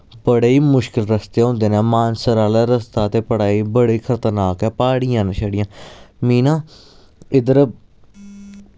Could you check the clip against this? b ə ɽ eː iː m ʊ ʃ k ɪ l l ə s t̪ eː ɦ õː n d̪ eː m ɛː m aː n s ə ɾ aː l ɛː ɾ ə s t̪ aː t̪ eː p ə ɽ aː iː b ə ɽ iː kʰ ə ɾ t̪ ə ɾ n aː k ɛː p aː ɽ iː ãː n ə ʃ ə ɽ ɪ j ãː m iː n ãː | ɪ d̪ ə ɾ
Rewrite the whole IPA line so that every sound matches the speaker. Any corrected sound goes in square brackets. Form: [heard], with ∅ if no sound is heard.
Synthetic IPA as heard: b ə ɽ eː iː m ʊ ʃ k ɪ l [ɾ] ə s t̪ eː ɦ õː n d̪ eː [n] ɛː m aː n s ə ɾ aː l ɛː ɾ ə s t̪ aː t̪ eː p ə ɽ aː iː b ə ɽ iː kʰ ə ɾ t̪ ə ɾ n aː k ɛː p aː ɽ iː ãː n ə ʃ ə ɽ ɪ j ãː m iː n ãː | ɪ d̪ ə ɾ